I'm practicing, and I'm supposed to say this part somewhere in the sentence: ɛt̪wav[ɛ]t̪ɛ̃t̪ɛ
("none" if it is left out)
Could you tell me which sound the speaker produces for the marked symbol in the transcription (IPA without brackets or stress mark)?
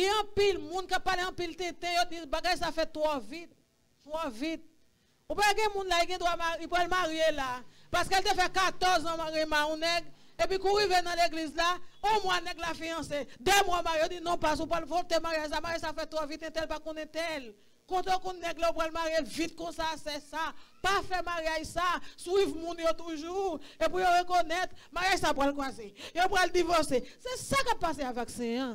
i